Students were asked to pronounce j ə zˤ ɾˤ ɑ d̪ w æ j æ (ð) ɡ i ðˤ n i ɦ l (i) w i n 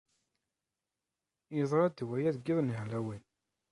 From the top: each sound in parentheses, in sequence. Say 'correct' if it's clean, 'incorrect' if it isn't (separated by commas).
correct, incorrect